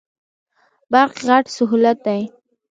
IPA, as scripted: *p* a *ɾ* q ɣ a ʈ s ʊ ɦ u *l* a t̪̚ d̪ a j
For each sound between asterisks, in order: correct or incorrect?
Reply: incorrect, correct, correct

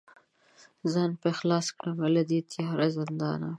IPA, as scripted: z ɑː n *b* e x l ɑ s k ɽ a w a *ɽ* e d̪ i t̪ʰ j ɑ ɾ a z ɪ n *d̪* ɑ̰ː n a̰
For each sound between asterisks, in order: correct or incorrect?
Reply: incorrect, incorrect, correct

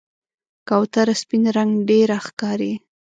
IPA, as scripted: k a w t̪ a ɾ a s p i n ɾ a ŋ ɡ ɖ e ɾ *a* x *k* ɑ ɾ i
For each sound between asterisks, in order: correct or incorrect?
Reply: correct, correct

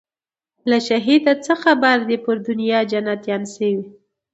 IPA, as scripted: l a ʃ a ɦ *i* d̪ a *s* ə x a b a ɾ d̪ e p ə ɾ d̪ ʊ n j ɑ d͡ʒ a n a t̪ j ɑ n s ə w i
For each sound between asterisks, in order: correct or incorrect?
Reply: correct, incorrect

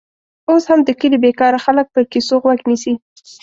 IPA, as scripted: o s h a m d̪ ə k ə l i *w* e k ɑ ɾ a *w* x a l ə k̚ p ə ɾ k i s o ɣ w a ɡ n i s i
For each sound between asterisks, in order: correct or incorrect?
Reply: incorrect, incorrect

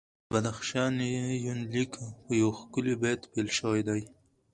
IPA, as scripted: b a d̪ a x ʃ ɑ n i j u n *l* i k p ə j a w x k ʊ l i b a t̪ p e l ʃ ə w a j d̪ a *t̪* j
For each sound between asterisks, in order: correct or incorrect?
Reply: correct, incorrect

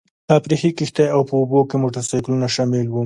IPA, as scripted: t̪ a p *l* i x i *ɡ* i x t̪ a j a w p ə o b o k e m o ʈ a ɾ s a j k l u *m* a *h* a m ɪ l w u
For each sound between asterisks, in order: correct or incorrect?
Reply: incorrect, incorrect, incorrect, incorrect

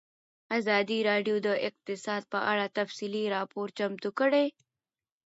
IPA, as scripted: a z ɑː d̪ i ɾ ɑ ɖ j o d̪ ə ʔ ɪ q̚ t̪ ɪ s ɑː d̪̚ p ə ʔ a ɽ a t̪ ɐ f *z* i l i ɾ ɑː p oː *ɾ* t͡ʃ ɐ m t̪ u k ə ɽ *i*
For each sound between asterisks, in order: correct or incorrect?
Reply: incorrect, correct, incorrect

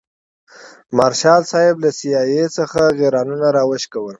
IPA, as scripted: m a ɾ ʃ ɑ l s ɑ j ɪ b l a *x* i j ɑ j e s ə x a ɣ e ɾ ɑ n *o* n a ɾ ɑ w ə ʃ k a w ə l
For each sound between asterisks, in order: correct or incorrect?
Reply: incorrect, incorrect

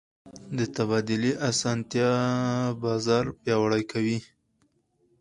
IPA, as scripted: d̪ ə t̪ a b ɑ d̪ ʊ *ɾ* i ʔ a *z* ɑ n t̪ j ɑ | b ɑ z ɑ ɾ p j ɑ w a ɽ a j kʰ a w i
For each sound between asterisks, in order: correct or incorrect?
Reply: incorrect, incorrect

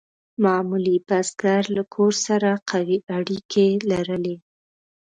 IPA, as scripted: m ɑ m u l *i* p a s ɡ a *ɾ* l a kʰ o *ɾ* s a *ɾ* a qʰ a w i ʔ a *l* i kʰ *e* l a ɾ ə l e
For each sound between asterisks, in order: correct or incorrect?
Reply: correct, correct, correct, correct, incorrect, correct

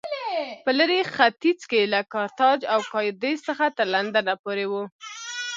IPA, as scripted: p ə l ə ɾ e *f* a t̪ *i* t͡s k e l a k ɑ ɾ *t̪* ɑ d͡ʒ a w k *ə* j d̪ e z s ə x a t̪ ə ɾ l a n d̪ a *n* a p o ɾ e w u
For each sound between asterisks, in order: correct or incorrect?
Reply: incorrect, correct, correct, incorrect, correct

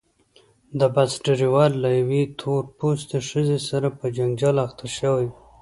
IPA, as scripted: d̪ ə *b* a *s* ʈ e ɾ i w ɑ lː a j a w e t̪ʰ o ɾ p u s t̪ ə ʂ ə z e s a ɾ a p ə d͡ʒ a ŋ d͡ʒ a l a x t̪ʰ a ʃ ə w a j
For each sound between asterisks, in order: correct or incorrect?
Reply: correct, correct

